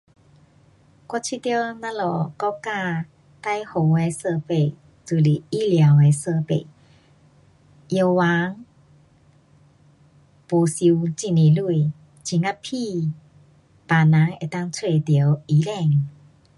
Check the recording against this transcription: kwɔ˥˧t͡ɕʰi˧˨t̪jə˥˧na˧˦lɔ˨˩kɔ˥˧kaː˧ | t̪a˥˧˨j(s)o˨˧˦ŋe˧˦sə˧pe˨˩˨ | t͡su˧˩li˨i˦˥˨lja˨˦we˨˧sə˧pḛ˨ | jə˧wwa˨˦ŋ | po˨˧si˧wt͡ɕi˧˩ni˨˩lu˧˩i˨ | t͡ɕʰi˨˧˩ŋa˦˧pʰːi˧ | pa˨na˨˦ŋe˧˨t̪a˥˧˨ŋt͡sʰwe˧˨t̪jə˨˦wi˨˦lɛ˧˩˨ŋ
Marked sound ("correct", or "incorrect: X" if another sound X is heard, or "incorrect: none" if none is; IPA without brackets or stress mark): incorrect: h